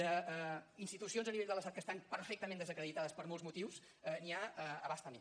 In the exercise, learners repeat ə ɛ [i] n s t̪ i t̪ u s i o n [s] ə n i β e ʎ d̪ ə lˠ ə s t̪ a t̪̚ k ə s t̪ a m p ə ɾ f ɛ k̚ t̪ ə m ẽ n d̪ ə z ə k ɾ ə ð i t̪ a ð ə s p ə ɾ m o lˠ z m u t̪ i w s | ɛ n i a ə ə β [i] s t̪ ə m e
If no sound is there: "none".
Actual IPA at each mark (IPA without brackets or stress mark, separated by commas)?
i, z, a